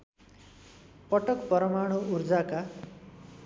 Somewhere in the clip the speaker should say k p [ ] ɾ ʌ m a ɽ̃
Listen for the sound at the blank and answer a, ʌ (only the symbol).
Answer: ʌ